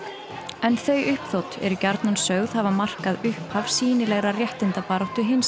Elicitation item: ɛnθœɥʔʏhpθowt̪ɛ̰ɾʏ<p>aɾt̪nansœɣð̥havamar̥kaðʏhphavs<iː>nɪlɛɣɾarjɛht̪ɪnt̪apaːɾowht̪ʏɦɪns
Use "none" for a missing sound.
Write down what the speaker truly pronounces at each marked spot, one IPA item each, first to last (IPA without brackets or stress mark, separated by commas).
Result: c, iː